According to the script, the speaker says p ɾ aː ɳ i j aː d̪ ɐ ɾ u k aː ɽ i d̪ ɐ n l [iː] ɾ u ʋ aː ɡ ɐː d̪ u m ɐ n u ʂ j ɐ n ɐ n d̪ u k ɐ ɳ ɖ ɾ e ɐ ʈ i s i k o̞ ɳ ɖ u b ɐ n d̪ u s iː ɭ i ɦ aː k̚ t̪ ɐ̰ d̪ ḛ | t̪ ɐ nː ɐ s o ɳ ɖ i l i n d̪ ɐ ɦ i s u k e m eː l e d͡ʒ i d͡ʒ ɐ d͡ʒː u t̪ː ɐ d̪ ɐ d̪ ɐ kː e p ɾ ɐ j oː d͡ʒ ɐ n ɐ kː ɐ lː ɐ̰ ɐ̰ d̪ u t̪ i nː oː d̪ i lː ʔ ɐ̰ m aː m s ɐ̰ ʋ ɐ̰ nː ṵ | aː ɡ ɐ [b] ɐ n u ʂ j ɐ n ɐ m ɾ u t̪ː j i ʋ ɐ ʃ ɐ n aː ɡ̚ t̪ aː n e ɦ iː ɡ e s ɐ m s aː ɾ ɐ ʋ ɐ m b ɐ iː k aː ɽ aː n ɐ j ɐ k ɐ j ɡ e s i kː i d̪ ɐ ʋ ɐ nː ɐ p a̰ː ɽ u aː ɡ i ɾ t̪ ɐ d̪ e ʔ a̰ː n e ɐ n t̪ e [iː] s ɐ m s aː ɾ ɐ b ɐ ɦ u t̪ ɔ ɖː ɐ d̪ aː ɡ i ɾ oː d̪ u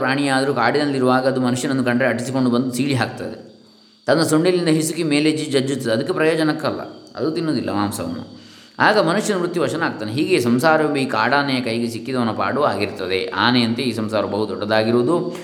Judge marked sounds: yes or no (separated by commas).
no, no, yes